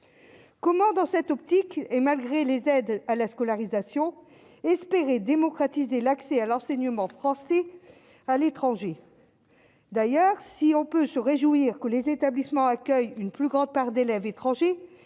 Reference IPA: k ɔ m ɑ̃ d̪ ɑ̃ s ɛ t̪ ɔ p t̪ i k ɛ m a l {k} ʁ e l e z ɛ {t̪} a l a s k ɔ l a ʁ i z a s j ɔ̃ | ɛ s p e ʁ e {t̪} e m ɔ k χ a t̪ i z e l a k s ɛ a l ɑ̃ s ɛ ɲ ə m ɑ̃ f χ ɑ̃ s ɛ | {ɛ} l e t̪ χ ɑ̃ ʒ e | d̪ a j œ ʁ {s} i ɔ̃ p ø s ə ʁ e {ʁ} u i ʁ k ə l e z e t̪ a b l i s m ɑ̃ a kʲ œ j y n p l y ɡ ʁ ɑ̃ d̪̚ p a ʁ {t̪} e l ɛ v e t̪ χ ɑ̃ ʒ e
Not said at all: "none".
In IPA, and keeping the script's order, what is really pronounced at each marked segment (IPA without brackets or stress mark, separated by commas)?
ɡ, d̪, d̪, a, s, ʒ, d̪